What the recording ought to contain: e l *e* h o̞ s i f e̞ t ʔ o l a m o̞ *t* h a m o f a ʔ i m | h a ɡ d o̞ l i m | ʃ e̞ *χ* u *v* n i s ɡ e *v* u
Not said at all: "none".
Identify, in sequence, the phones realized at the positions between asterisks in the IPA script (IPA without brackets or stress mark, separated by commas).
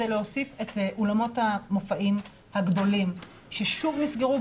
e, t, ʃ, v, ʁ